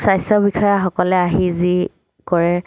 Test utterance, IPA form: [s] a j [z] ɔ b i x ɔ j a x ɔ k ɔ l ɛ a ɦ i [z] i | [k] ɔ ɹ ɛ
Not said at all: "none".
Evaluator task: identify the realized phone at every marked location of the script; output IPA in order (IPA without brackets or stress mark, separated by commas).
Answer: s, s, z, k